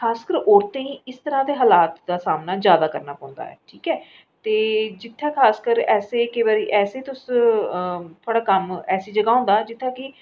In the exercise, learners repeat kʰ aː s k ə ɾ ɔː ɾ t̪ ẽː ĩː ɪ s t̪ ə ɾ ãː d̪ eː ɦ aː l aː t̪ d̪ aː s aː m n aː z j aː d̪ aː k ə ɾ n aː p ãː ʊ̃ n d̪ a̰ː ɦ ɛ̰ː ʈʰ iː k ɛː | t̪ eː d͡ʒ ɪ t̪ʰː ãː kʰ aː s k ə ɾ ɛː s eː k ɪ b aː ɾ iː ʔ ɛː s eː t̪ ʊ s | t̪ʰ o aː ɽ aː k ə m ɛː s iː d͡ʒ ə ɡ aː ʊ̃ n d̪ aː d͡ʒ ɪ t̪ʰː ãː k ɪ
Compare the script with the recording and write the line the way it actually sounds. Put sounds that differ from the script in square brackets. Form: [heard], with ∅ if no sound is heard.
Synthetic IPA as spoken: kʰ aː s k ə ɾ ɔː ɾ t̪ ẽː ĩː ɪ s t̪ ə ɾ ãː d̪ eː ɦ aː l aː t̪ d̪ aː s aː m n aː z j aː d̪ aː k ə ɾ n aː p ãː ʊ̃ n d̪ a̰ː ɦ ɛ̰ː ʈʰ iː k ɛː | t̪ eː d͡ʒ ɪ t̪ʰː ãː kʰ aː s k ə ɾ ɛː s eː k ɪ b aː ɾ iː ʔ ɛː s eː t̪ ʊ s | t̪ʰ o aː ɽ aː k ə m ɛː s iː d͡ʒ ə ɡ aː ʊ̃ n d̪ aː d͡ʒ ɪ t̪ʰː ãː k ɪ